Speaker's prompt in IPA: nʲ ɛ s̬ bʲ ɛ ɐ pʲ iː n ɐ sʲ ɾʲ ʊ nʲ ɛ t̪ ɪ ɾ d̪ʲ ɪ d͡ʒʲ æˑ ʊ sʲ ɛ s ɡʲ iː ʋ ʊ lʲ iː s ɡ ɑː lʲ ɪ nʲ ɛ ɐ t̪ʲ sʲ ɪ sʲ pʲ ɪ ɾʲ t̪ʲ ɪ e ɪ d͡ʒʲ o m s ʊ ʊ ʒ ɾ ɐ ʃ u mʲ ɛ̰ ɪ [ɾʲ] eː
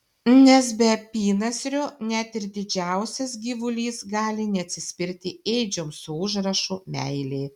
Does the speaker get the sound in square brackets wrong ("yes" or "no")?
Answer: yes